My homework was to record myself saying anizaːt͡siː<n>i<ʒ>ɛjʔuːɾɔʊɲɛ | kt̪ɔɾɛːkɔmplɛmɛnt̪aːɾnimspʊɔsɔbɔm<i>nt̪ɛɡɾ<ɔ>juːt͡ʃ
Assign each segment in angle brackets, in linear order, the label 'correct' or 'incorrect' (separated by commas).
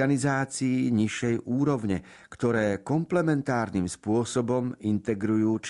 incorrect, incorrect, correct, incorrect